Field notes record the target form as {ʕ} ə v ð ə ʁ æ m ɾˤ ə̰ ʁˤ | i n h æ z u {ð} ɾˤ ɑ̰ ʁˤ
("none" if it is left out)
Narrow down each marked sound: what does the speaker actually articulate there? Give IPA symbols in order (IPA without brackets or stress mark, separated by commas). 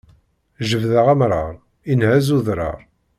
ʒ, ð